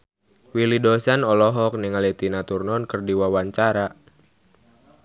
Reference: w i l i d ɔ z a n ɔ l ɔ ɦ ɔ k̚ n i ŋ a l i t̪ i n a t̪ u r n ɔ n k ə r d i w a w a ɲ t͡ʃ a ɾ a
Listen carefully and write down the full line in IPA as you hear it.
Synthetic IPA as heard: w i l i d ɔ s a n ɔ l ɔ ɦ ɔ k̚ n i ŋ a l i t̪ i n a t̪ u r n ɔ n k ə r d i w a w a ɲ t͡ʃ a ɾ a